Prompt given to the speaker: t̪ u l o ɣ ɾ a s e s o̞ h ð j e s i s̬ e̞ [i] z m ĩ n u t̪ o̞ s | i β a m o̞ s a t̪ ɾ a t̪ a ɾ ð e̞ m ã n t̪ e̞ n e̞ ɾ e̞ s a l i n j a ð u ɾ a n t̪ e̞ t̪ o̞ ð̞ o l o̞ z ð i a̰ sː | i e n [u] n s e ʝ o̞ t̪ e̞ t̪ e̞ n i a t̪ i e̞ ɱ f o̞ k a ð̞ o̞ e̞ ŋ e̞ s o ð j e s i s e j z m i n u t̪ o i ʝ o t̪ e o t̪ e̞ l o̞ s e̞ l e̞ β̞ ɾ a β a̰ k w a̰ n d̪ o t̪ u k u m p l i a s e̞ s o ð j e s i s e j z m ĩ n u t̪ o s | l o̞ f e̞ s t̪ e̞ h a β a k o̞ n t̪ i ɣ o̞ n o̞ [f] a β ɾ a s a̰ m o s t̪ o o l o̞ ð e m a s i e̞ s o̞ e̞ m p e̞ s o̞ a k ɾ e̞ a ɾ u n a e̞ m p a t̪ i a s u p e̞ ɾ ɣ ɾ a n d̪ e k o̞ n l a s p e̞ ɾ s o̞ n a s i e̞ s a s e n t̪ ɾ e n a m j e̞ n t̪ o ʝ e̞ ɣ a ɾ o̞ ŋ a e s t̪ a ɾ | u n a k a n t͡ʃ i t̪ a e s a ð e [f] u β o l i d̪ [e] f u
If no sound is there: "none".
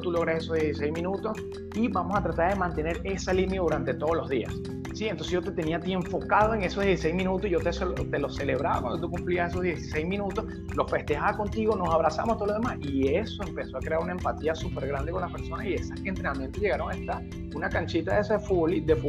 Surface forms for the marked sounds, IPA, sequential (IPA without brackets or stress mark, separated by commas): j, o, s, f, e